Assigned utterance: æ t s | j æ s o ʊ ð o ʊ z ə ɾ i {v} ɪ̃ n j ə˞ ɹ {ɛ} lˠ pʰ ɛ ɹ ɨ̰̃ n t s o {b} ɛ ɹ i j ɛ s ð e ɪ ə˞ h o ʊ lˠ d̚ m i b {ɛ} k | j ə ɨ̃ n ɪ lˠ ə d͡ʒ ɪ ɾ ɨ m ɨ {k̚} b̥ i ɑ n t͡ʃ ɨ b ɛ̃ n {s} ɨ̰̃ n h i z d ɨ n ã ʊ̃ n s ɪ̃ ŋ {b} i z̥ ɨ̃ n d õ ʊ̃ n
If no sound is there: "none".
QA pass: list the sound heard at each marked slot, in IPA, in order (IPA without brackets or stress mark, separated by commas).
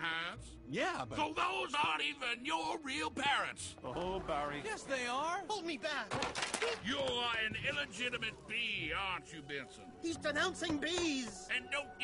v, i, b, æ, t̚, s, b